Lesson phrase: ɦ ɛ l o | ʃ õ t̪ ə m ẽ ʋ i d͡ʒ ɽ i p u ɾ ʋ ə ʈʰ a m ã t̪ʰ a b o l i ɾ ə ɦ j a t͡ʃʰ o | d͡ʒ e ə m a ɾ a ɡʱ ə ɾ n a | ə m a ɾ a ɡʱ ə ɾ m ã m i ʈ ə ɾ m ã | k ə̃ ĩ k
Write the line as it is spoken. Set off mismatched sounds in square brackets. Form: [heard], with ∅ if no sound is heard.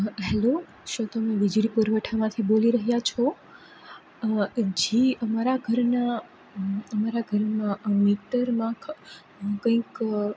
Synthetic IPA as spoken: ɦ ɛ l o | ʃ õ t̪ ə m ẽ ʋ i d͡ʒ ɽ i p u ɾ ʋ ə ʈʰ a m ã t̪ʰ [i] b o l i ɾ ə ɦ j a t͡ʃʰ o | d͡ʒ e ə m a ɾ a ɡʱ ə ɾ n a | ə m a ɾ a ɡʱ ə ɾ m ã m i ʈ ə ɾ m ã | k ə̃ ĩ k